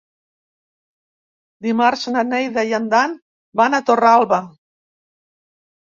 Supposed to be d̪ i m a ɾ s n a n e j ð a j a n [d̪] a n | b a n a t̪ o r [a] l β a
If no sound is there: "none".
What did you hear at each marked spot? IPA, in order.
d̪, a

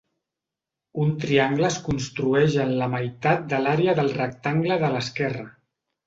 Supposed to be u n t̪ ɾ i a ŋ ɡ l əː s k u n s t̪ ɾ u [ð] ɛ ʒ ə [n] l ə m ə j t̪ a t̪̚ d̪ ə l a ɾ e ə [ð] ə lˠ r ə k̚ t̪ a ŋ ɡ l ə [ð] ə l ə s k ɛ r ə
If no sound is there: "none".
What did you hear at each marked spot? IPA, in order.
none, n, ð, ð

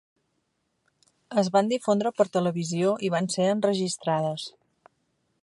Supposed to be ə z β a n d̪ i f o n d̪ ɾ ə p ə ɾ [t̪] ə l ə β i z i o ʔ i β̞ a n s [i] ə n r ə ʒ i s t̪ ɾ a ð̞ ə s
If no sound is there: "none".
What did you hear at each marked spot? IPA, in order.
t̪, e

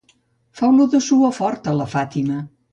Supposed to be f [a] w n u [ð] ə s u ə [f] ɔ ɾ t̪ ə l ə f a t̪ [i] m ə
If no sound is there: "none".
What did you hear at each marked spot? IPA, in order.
a, ð, f, i

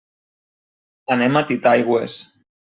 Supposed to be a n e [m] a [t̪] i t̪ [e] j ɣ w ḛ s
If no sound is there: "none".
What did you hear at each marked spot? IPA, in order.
m, t̪, a

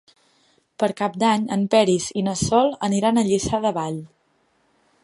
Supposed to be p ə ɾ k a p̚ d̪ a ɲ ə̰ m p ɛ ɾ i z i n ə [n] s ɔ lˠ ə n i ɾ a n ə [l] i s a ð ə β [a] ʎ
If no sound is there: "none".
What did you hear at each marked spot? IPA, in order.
none, ʎ, a

